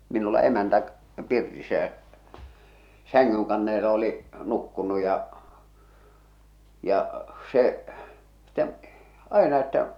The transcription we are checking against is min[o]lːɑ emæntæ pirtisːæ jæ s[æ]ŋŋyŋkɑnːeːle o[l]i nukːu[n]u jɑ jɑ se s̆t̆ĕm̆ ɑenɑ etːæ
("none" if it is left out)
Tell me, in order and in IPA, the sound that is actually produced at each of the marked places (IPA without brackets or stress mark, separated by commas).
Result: u, æ, l, n